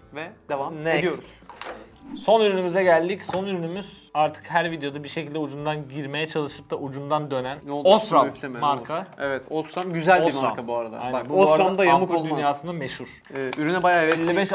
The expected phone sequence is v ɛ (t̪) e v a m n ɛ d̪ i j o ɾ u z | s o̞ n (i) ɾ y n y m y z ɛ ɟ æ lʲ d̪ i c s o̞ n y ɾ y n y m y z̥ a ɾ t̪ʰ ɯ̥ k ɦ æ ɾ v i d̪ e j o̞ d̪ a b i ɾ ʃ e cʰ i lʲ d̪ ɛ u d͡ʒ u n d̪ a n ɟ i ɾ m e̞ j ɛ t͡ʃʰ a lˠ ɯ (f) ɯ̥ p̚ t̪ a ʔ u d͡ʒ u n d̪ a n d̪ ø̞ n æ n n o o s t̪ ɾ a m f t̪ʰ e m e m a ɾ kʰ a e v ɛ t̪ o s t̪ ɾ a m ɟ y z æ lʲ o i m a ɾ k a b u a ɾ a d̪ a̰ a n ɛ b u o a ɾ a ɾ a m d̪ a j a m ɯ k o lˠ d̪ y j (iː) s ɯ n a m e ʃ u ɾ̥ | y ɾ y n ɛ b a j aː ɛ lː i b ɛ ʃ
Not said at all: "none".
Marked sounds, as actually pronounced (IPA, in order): d̪, y, ʃ, aː

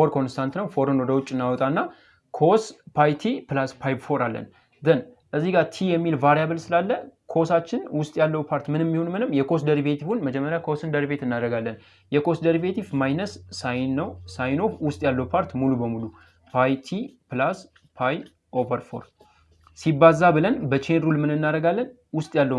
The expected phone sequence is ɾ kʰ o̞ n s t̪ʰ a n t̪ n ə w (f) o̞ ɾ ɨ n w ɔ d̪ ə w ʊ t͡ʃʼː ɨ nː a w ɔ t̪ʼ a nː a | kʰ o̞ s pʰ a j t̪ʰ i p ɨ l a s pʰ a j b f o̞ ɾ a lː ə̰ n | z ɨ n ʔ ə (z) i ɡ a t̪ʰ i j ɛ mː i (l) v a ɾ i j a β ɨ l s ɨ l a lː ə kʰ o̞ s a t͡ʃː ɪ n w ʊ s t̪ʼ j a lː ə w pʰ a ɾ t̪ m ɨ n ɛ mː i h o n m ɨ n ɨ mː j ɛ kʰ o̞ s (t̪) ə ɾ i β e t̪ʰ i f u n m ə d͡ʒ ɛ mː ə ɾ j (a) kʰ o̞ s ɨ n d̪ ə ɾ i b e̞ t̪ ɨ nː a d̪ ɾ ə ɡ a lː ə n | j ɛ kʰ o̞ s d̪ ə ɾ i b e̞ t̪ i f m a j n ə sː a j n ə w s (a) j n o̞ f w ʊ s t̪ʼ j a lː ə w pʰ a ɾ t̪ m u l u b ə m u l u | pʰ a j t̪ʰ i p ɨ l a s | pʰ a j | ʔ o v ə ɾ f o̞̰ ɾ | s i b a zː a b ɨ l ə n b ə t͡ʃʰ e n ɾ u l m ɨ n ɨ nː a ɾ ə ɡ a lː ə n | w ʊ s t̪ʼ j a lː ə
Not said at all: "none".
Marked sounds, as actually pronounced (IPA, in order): f, zː, l, d̪, a, a

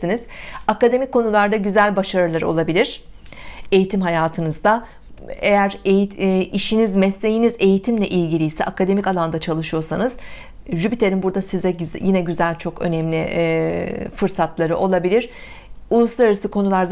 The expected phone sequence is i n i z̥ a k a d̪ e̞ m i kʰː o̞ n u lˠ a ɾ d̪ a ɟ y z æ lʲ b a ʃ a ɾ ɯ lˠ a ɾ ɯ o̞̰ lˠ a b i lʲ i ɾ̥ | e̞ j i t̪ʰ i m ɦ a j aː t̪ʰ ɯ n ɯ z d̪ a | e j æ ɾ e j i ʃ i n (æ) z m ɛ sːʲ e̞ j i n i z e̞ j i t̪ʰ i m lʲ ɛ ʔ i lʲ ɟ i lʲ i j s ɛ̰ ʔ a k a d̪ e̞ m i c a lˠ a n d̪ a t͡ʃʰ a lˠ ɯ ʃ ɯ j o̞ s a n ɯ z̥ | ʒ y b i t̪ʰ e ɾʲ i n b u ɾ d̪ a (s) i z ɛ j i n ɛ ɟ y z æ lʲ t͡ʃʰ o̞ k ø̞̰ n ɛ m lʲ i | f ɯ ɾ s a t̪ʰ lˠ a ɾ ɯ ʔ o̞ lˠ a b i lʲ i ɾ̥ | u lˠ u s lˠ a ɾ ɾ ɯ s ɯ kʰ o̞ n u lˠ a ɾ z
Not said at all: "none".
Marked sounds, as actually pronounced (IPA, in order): i, s

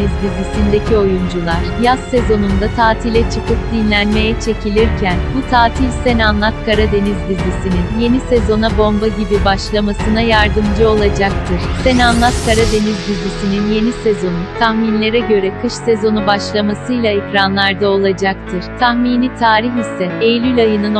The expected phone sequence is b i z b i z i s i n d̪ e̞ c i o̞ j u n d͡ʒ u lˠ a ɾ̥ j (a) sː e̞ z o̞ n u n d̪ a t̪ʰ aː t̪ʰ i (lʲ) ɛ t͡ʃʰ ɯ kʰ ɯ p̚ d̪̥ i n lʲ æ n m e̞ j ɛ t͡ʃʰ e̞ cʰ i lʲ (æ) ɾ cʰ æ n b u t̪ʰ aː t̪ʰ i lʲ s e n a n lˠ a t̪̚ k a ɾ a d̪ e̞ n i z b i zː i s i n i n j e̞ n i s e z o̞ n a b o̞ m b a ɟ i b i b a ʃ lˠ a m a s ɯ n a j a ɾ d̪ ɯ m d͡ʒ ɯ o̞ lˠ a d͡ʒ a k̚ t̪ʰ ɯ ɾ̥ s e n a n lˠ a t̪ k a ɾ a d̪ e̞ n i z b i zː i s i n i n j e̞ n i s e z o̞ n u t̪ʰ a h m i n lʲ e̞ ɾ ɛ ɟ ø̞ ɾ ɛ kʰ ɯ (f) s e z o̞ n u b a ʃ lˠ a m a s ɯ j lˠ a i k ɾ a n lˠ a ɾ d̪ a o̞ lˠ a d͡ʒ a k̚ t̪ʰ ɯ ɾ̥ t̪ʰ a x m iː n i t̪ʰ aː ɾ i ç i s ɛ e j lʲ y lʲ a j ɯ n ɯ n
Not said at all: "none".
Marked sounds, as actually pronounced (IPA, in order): a, lʲ, i, ʃ

